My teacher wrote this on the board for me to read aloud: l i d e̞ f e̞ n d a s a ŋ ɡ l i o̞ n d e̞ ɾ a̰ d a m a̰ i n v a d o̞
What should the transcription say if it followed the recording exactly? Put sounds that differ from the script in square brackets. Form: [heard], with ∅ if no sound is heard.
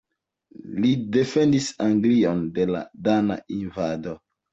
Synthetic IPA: l i d e̞ f e̞ n d [i] s a ŋ ɡ l i o̞ n d e̞ [l] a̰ d a [n] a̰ i n v a d o̞